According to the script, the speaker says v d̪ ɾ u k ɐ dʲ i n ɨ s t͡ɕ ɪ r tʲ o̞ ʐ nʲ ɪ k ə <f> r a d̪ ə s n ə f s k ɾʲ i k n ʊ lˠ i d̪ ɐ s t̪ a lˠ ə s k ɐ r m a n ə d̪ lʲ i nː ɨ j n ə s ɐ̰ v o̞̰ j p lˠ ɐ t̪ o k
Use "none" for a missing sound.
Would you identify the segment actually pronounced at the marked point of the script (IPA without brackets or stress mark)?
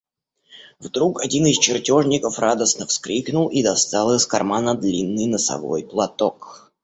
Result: f